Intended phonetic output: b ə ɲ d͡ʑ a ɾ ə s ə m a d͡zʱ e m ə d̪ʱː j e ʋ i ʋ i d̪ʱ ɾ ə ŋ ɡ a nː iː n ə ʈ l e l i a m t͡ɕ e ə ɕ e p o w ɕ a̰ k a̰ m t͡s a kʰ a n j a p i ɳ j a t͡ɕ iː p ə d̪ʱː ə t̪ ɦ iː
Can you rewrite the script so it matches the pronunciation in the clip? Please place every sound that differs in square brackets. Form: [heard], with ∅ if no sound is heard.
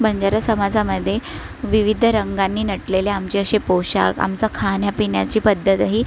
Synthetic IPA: b ə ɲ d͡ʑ a ɾ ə s ə m a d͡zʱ [a] m ə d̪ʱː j e ʋ i ʋ i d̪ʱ ɾ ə ŋ ɡ a nː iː n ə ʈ l e l [e] a m t͡ɕ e ə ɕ e p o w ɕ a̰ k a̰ m t͡s a kʰ a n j a p i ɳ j a t͡ɕ iː p ə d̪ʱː ə t̪ ɦ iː

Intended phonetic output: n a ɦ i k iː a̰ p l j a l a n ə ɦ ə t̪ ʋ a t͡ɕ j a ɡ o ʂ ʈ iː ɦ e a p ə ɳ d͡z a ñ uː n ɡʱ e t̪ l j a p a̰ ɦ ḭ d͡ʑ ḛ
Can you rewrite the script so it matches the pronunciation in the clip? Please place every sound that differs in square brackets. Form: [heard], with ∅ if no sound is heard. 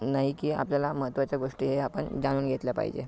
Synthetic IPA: n a ɦ i k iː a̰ p l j a l a [m] ə ɦ ə t̪ ʋ a t͡ɕ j a ɡ o ʂ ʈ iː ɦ e a p ə ɳ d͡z a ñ uː n ɡʱ e t̪ l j a p a̰ ɦ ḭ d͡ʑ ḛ

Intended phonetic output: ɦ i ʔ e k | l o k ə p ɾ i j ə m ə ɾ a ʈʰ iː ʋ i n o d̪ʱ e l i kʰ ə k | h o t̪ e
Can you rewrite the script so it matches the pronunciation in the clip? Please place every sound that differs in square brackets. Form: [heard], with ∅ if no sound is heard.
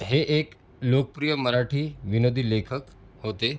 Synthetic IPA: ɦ [e] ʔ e k | l o k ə p ɾ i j ə m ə ɾ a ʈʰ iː ʋ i n o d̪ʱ [i] l [e] kʰ ə k | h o t̪ e

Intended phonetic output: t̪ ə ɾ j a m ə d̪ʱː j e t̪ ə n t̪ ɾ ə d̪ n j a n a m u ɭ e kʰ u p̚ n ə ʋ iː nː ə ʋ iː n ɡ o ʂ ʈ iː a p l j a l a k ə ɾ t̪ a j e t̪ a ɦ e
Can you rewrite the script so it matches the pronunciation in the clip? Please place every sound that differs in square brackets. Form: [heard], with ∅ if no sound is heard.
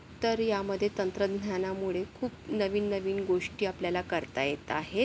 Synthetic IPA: t̪ ə ɾ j a m ə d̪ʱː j e t̪ ə n t̪ ɾ ə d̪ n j a n a m u ɭ e kʰ [uː] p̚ n ə ʋ iː nː ə ʋ iː n ɡ o ʂ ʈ iː a p l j a l a k ə ɾ t̪ a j e t̪ a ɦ e

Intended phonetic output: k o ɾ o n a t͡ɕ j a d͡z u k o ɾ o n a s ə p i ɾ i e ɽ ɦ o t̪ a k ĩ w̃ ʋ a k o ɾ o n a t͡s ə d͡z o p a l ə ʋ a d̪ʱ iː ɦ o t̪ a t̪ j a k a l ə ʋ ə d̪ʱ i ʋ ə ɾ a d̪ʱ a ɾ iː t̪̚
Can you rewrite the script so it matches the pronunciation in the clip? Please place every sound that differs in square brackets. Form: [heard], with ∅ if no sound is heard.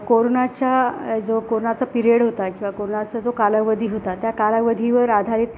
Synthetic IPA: k o ɾ o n a t͡ɕ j a d͡z [o] k o ɾ o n a [t͡s] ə p i ɾ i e ɽ ɦ o t̪ a k ĩ w̃ ʋ a k o ɾ o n a t͡s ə d͡z o [k] a l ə ʋ [ə] d̪ʱ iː ɦ o t̪ a t̪ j a k a l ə ʋ ə d̪ʱ i ʋ ə ɾ a d̪ʱ a ɾ iː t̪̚

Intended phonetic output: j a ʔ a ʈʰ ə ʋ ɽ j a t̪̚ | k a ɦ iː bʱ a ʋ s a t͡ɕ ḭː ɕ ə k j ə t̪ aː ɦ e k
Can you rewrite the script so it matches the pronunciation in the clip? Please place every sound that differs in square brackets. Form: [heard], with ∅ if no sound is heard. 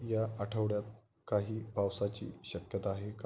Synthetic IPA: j a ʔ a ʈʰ ə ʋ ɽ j a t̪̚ | k a ɦ iː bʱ a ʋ s a t͡ɕ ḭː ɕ ə k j ə t̪ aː ɦ e k

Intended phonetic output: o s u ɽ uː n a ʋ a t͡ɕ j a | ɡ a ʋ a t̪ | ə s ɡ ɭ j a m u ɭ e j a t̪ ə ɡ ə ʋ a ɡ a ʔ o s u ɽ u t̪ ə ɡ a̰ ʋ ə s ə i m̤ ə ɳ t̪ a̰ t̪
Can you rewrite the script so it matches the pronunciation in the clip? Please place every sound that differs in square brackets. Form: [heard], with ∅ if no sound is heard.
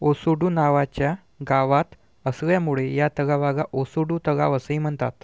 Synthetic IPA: o s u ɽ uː n a ʋ a t͡ɕ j a | ɡ a ʋ a t̪ | ə s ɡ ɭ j a m u ɭ e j a t̪ ə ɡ [a] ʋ a ɡ a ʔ o s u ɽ u t̪ ə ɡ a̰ ʋ ə s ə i m̤ ə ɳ t̪ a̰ t̪

